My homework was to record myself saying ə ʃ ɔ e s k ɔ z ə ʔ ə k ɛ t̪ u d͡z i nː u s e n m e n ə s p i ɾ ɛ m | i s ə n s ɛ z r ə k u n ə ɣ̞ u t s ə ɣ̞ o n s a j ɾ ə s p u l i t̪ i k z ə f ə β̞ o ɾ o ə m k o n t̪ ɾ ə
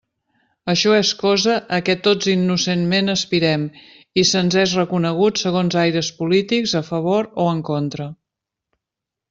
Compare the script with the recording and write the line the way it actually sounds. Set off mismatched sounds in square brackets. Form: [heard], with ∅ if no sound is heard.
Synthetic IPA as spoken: ə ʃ ɔ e s k ɔ z ə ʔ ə k ɛ t̪ [o] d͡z i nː u s e n m e n ə s p i ɾ ɛ m | i s ə n [z] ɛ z r ə k u n ə ɣ̞ u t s ə ɣ̞ o n [z] a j ɾ ə s p u l i t̪ i k z ə f ə β̞ o ɾ o ə [ŋ] k o n t̪ ɾ ə